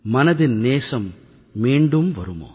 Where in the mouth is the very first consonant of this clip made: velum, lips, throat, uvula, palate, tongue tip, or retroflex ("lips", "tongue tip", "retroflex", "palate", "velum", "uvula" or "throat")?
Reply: lips